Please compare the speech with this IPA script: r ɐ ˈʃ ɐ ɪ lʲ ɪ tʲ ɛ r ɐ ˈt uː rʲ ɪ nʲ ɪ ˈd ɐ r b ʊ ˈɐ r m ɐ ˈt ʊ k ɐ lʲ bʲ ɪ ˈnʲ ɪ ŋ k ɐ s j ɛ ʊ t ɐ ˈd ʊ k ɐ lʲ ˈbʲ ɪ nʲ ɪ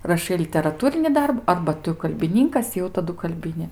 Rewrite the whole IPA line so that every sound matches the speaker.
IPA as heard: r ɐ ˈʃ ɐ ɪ lʲ ɪ tʲ ɛ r ɐ ˈt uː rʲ ɪ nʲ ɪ ˈd ɐ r b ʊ ˈɐ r b ɐ ˈt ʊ k ɐ lʲ bʲ ɪ ˈnʲ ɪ ŋ k ɐ s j ɛ ʊ t ɐ ˈd ʊ k ɐ lʲ ˈbʲ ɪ nʲ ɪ